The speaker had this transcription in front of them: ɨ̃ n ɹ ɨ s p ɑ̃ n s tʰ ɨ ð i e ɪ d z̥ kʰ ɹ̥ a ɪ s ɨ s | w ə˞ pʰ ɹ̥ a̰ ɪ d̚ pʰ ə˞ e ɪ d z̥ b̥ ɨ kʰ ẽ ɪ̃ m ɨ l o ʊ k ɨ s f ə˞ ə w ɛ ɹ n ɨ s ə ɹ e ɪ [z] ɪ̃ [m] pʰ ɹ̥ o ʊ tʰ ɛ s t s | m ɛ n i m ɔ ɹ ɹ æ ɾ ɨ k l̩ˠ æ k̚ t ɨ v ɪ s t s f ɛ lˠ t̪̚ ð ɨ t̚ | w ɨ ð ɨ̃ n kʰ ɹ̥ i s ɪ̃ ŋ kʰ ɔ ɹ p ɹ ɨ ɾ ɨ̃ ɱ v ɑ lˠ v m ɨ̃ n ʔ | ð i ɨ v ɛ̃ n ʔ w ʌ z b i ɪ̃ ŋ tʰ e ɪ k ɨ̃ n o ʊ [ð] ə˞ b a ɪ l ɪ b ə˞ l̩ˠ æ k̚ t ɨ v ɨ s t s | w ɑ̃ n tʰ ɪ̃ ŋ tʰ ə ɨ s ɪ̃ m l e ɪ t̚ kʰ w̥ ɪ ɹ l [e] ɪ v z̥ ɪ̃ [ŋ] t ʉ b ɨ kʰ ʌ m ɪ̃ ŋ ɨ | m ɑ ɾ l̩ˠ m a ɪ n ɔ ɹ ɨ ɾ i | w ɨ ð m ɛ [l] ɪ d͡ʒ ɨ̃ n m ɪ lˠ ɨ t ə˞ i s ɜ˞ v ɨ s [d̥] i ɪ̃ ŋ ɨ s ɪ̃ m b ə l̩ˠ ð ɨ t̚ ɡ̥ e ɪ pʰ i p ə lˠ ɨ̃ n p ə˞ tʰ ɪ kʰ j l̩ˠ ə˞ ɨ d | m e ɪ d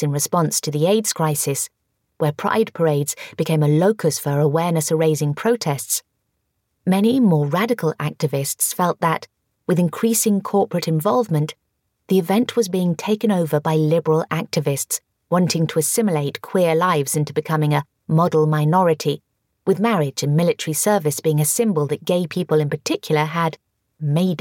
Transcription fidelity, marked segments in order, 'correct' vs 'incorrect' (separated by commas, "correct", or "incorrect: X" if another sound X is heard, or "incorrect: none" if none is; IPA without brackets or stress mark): correct, incorrect: ŋ, incorrect: v, incorrect: a, incorrect: n, incorrect: ɹ, incorrect: b̥